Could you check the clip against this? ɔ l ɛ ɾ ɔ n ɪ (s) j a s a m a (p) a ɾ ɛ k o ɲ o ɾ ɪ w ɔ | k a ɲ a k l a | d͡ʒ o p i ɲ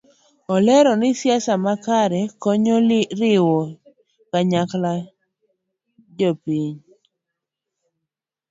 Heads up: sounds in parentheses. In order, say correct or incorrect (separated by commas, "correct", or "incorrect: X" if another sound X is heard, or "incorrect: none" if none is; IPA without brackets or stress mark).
correct, incorrect: k